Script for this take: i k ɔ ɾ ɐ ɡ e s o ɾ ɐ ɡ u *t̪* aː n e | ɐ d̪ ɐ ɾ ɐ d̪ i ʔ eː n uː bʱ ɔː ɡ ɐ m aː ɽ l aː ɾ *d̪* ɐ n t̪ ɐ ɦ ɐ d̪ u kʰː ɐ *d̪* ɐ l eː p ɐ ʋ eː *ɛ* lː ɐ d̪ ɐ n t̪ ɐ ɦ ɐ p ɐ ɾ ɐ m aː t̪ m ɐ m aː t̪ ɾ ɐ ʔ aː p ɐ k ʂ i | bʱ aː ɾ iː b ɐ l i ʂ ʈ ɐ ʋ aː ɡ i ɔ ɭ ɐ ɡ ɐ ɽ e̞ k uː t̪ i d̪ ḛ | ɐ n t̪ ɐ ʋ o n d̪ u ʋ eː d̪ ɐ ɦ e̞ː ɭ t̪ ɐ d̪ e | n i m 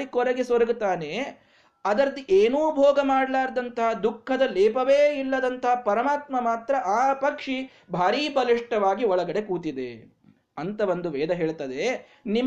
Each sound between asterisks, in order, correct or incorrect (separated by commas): correct, correct, correct, incorrect